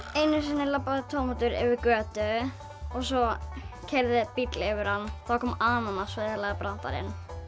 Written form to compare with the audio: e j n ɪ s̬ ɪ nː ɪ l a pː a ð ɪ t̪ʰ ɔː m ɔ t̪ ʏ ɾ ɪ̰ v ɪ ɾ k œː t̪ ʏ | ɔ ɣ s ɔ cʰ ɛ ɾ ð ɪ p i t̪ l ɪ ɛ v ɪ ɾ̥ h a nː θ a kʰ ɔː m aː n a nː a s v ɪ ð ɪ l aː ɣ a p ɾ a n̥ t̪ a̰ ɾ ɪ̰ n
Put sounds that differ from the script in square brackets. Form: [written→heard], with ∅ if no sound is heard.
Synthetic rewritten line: e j n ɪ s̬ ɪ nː ɪ l a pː a ð ɪ t̪ʰ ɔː m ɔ t̪ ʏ ɾ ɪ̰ v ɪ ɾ k œː t̪ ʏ | ɔ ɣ s ɔ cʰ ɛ ɾ ð ɪ p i t̪ l ɪ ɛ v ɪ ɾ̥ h a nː θ a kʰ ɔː m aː n a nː a s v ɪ ð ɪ l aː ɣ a p ɾ a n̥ t̪ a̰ ɾ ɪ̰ n

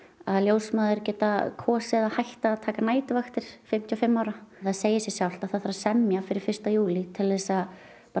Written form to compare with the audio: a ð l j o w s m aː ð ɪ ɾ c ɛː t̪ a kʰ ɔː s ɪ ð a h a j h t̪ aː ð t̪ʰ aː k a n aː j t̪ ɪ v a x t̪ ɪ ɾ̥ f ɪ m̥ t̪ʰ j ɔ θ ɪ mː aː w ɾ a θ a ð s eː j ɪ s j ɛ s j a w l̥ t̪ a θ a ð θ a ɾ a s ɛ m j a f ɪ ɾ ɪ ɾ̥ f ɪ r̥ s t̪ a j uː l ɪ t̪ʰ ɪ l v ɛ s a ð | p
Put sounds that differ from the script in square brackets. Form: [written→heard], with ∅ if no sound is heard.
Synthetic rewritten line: a ð l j o w s m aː ð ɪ ɾ c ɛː t̪ a kʰ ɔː s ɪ ð a h a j h t̪ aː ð t̪ʰ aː k a n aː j t̪ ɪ v a x t̪ ɪ ɾ̥ f ɪ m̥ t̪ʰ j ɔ [θ→f] ɪ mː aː w ɾ a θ a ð s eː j ɪ s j ɛ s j a w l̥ t̪ a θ a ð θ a ɾ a s ɛ m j a f ɪ ɾ ɪ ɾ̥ f ɪ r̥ s t̪ a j uː l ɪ t̪ʰ ɪ l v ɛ s a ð | p

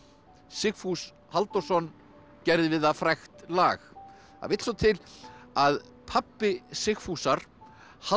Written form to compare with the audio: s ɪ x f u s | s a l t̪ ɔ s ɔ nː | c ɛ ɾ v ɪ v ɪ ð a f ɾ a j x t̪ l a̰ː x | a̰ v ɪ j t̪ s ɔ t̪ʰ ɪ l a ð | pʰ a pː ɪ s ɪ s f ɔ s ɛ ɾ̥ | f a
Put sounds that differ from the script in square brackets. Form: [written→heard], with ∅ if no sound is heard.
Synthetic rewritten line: s ɪ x f u s | [s→h] a l t̪ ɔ s ɔ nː | c ɛ ɾ [v→ð] ɪ v ɪ ð a f ɾ a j x t̪ l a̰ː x | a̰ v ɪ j t̪ s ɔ t̪ʰ ɪ l a ð | pʰ a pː ɪ s ɪ [s→x] f [ɔ→u] s [ɛ→a] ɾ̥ | [f→h] a

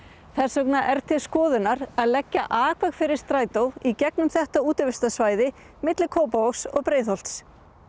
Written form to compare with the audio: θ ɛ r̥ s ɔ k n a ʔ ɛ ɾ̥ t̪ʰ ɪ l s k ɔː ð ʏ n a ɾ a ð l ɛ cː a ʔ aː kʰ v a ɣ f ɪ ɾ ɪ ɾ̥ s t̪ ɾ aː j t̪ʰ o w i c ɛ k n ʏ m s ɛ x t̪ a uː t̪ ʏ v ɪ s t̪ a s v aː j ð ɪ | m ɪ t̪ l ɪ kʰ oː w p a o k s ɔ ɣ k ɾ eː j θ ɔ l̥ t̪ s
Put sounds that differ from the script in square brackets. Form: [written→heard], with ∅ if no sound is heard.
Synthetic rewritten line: θ ɛ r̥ s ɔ k n a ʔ ɛ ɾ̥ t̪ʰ ɪ l s k ɔː ð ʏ n a ɾ a ð l ɛ cː a ʔ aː kʰ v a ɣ f ɪ ɾ ɪ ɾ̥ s t̪ ɾ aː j [t̪ʰ→t̪] o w i c ɛ k n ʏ m [s→θ] ɛ [x→h] t̪ a uː t̪ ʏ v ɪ s t̪ a s v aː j ð ɪ | m ɪ t̪ l ɪ kʰ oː w p a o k s ɔ ɣ [k→p] ɾ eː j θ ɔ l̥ t̪ s

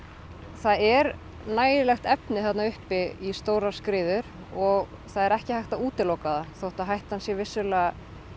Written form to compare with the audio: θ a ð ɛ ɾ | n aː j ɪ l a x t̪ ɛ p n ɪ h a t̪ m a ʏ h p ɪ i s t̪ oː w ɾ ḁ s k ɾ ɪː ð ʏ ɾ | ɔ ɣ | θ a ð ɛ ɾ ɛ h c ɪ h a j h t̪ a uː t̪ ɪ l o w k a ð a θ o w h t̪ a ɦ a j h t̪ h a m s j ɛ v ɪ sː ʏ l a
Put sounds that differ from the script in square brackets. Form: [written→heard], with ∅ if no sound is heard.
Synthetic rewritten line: θ a ð ɛ ɾ | n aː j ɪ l [a→ɛ] x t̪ ɛ p n ɪ [h→θ] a t̪ [m→n] a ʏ h p ɪ i s t̪ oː w ɾ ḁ s k ɾ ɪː ð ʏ ɾ | ɔ ɣ | θ a ð ɛ ɾ ɛ h c ɪ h a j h t̪ a uː t̪ ɪ l o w k a ð a θ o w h t̪ a ɦ a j h t̪ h a [m→n] s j ɛ v ɪ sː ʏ l a

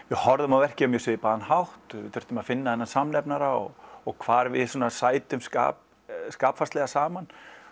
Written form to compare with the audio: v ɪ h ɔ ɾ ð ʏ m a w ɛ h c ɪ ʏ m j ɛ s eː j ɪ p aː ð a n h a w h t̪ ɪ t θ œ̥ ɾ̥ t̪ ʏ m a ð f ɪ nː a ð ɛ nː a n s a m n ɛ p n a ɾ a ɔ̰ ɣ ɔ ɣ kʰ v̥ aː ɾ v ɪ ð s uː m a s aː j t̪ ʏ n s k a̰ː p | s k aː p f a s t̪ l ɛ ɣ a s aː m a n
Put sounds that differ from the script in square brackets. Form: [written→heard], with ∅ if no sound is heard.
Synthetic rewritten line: v ɪ h ɔ ɾ ð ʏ m a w ɛ h c ɪ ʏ m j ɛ s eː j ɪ p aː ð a n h a w h t̪ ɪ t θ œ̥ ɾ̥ t̪ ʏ m a ð f ɪ nː a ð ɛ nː a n s a m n ɛ p n a ɾ a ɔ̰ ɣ ɔ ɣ kʰ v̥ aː ɾ v ɪ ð s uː [m→n] a s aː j t̪ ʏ [n→m] s k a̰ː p | s k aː p f a s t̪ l ɛ ɣ a s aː m a n

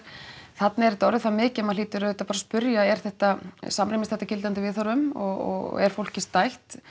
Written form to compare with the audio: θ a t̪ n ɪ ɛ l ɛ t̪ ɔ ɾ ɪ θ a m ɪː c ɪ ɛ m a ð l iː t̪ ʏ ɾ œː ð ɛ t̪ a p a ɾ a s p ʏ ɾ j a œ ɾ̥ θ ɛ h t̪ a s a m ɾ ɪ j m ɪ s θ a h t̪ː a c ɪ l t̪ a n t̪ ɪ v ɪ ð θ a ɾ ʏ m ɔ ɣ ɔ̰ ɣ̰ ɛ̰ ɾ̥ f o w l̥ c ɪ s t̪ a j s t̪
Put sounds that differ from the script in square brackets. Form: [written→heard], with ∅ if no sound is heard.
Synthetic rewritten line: θ a t̪ n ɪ ɛ [l→ɾ] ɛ t̪ ɔ ɾ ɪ θ a m ɪː c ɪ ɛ m a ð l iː t̪ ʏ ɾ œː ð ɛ t̪ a p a ɾ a s p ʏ ɾ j a [œ→ɛ] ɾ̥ θ ɛ h t̪ a s a m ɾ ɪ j m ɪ s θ [a→ɛ] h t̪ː a c ɪ l t̪ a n t̪ ɪ v ɪ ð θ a ɾ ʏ m ɔ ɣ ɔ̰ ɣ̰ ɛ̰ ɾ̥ f o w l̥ c ɪ s t̪ a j [s→h] t̪

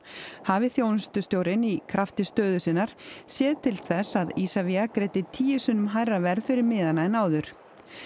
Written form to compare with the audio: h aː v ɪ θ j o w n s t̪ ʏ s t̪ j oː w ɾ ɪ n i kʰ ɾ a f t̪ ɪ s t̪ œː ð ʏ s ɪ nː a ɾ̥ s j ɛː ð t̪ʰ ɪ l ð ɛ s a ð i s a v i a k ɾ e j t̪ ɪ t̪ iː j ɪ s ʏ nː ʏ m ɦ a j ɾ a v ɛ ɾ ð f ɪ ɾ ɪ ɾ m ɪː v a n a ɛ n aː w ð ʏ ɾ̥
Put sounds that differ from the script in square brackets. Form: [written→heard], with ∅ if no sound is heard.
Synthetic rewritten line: h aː v ɪ θ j o w n s t̪ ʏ s t̪ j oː w ɾ ɪ n i kʰ ɾ a f t̪ ɪ s t̪ œː ð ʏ s ɪ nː a ɾ̥ s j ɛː ð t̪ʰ ɪ l [ð→θ] ɛ s a ð i s a v i a k ɾ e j t̪ ɪ [t̪→t̪ʰ] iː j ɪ s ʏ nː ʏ m ɦ a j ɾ a v ɛ ɾ ð f ɪ ɾ ɪ ɾ m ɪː [v→ð] a n a ɛ n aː w ð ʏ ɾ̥

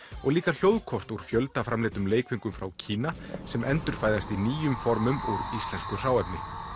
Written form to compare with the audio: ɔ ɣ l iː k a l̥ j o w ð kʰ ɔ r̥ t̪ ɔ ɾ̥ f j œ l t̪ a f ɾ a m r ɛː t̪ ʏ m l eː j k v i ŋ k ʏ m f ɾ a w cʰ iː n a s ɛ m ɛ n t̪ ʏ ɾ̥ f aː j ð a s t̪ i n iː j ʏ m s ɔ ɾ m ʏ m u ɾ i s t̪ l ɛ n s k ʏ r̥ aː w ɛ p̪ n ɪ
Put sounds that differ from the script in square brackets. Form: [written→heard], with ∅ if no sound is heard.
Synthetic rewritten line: ɔ ɣ l iː k a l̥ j o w ð kʰ ɔ r̥ t̪ [ɔ→u] ɾ̥ f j œ l t̪ a f ɾ a m [r→l] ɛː t̪ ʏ m l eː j k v i ŋ k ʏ m f ɾ a w cʰ iː n a s ɛ m ɛ n t̪ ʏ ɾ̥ f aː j ð a s t̪ i n iː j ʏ m [s→f] ɔ ɾ m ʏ m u ɾ i s t̪ l ɛ n s k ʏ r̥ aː w ɛ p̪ n ɪ

